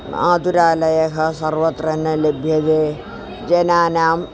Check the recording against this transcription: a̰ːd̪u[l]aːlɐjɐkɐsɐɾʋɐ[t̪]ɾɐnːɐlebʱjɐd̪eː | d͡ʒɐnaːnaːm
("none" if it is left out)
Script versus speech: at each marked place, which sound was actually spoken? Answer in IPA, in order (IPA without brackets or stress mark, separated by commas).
ɾ, t̪